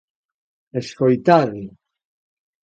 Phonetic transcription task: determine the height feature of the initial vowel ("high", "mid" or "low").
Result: mid